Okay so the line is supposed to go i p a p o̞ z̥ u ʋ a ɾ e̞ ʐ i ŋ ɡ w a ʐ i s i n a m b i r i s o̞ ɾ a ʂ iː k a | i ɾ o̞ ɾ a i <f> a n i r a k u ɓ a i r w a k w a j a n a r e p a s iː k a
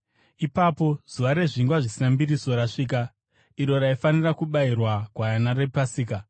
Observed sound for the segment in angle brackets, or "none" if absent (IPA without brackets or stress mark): f